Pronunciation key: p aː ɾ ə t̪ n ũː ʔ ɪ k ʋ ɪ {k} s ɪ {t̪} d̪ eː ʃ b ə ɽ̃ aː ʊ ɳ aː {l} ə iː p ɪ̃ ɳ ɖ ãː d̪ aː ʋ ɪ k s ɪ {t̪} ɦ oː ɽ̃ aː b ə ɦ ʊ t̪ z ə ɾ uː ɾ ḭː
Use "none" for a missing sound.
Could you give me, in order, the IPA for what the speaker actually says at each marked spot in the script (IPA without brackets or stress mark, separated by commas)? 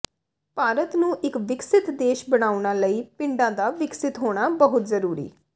k, t̪, l, t̪